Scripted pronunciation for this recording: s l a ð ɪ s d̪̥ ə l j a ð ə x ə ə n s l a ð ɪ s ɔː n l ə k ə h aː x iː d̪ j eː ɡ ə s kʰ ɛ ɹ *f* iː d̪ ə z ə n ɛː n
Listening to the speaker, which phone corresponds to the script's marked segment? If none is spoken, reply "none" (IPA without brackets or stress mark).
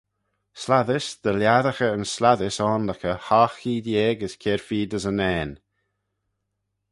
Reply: f